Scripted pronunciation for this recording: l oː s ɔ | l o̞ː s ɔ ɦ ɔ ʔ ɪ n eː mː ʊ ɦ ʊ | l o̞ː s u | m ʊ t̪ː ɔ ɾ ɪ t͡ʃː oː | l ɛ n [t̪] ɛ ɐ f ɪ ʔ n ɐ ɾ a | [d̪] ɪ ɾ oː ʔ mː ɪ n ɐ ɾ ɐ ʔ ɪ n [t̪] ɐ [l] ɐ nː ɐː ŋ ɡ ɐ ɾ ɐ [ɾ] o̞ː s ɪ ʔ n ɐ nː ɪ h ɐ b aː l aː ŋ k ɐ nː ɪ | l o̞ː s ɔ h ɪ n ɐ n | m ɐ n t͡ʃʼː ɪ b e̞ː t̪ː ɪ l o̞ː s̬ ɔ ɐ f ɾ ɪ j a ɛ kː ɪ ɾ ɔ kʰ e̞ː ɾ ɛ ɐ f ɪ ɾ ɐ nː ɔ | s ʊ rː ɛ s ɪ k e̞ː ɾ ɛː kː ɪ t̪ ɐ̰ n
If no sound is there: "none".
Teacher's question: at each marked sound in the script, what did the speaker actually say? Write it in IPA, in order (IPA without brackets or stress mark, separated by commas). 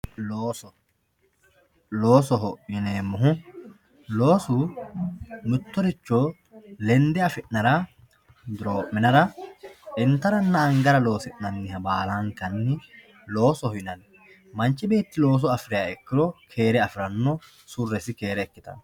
d̪, d̪, t̪, ɾ, l